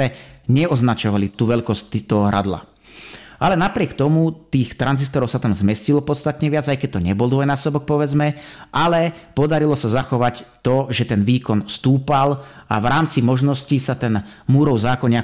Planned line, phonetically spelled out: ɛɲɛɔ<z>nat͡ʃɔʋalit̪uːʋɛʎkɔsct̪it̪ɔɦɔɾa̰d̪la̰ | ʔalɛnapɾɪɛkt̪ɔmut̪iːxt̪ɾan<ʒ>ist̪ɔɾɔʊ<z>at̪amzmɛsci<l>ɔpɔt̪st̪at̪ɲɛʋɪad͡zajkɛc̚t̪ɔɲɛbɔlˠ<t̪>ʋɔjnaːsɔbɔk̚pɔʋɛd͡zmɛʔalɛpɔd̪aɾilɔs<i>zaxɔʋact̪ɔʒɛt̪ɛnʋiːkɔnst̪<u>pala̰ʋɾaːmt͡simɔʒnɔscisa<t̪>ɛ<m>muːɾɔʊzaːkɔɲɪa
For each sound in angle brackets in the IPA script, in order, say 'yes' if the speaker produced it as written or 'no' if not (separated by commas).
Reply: yes, no, no, yes, no, no, no, yes, no